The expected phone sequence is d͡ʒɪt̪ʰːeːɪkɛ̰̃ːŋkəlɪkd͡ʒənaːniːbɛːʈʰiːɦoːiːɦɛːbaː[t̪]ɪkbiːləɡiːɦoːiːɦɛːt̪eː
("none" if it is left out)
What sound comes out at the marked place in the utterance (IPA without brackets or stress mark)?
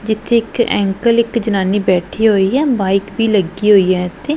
none